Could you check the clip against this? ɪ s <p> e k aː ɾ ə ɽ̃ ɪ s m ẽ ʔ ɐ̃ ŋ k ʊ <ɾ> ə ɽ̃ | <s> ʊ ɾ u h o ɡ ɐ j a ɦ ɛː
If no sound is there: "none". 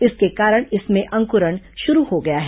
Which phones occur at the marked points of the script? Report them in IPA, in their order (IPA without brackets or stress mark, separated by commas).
k, ɾ, ʃ